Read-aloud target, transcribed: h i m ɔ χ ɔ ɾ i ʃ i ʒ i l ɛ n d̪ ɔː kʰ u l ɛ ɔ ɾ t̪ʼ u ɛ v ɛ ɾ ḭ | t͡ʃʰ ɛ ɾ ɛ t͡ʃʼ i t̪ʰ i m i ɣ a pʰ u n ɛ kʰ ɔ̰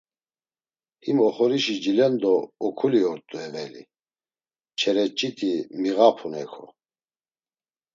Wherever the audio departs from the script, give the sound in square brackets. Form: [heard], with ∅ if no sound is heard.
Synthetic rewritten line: h i m ɔ χ ɔ ɾ i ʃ i [d͡ʒ] i l ɛ n d̪ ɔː kʰ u l [i] ɔ ɾ t̪ʼ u ɛ v ɛ [l] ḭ | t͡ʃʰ ɛ ɾ ɛ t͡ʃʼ i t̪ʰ i m i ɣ a pʰ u n ɛ kʰ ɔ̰